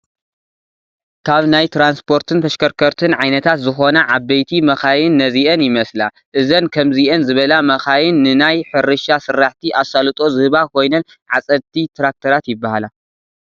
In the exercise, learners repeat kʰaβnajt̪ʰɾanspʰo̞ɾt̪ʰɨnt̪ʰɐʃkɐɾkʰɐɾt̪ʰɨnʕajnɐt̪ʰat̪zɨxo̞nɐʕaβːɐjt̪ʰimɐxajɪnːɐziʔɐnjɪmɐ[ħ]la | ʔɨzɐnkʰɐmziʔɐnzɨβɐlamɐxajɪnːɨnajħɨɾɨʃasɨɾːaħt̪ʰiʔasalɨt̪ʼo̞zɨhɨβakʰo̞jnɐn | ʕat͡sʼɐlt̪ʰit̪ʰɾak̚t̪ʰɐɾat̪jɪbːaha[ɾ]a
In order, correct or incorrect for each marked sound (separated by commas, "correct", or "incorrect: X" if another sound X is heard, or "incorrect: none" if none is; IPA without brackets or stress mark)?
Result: incorrect: s, incorrect: l